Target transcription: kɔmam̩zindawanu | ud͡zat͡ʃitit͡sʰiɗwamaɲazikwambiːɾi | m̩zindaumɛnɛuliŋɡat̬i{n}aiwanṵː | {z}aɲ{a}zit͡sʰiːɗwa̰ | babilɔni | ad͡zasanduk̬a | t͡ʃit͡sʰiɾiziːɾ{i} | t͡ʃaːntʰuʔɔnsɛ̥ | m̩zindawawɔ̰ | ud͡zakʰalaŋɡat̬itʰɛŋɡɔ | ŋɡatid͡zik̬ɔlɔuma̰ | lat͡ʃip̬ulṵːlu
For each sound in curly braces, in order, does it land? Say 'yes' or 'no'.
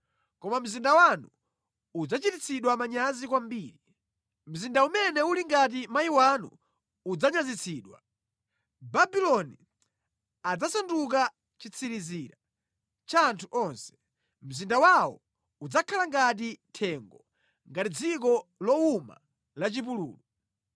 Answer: no, no, yes, no

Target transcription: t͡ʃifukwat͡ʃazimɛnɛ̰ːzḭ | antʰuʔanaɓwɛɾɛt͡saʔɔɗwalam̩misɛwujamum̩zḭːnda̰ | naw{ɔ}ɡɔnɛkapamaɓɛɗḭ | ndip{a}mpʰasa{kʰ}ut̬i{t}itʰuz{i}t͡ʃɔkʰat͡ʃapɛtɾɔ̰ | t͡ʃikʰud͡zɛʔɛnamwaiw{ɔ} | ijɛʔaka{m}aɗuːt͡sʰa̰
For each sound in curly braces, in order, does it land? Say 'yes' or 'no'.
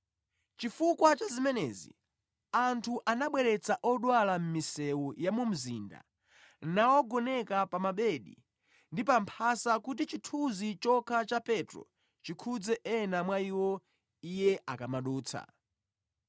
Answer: yes, yes, no, no, yes, yes, yes

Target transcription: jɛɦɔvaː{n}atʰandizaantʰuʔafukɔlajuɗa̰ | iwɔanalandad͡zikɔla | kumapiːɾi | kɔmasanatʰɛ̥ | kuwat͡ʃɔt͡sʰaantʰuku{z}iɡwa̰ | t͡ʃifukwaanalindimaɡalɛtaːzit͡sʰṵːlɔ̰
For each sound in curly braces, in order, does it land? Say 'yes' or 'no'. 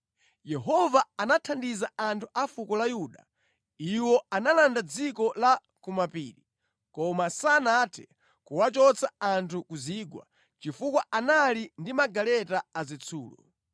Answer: yes, yes

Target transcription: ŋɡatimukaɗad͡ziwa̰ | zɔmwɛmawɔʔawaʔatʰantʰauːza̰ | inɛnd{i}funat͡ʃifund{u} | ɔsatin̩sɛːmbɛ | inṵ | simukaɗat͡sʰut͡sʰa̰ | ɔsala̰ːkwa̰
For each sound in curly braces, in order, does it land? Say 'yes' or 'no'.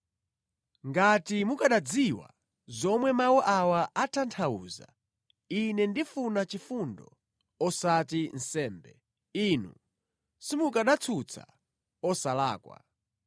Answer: yes, no

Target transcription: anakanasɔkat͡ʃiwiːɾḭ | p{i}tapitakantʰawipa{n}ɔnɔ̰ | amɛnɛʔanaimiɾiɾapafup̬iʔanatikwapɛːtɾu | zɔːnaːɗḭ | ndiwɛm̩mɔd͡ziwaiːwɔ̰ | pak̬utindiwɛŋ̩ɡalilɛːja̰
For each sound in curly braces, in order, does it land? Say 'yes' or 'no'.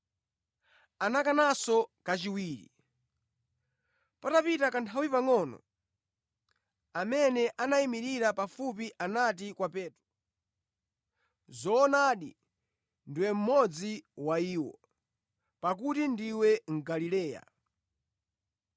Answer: no, no

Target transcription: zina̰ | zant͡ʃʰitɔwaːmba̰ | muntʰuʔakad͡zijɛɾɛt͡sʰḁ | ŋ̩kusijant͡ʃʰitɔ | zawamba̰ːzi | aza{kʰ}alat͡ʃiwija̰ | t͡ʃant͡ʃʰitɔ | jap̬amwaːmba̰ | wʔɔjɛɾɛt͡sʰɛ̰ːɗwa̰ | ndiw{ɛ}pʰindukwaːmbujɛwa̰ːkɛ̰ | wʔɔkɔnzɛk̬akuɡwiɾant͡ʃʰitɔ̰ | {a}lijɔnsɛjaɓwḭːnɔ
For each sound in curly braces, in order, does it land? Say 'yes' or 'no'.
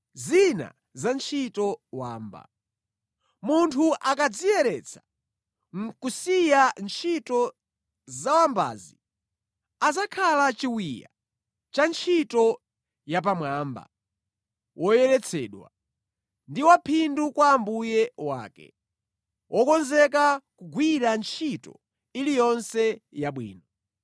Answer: yes, no, no

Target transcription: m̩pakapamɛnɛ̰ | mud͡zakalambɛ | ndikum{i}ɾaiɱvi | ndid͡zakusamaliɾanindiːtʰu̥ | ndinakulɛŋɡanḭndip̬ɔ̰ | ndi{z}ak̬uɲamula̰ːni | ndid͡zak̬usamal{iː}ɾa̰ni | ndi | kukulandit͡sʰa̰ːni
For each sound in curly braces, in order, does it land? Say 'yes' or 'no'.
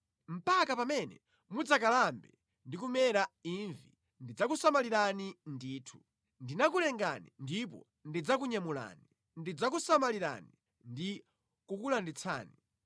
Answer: no, no, no

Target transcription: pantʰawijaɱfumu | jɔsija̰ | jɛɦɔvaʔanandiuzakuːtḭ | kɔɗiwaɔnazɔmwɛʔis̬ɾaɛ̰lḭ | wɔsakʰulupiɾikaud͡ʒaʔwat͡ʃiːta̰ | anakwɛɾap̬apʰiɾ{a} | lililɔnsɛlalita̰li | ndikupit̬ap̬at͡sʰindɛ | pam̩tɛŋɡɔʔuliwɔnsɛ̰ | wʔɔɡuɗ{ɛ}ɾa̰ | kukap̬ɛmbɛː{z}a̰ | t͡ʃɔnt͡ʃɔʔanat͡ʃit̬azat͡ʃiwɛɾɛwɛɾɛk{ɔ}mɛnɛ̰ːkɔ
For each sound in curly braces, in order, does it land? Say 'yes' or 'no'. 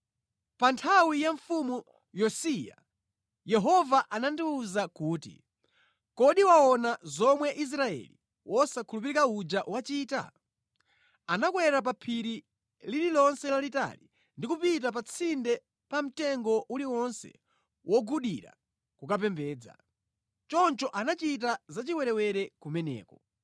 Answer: no, no, no, no

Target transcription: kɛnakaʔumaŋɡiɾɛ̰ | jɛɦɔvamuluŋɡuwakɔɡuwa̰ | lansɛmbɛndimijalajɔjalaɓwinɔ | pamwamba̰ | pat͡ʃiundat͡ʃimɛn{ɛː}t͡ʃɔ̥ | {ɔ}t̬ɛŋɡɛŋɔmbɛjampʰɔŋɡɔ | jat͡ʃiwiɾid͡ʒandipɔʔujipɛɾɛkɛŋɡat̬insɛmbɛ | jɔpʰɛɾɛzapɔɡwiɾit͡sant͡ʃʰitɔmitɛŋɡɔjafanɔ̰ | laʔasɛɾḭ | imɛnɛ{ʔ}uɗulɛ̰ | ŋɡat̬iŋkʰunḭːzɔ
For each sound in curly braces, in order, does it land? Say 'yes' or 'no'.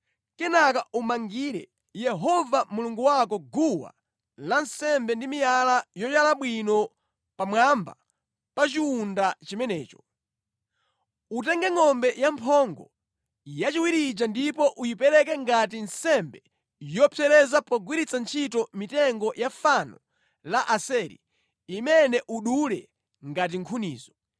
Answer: yes, no, yes

